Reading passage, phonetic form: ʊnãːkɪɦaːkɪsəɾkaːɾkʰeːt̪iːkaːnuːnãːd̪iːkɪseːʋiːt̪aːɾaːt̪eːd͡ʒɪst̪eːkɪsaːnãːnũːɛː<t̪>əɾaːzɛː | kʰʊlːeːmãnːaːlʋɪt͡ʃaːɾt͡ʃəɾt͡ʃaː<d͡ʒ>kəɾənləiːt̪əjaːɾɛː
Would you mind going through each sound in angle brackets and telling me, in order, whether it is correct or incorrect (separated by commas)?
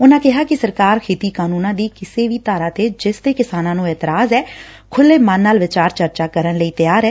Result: correct, incorrect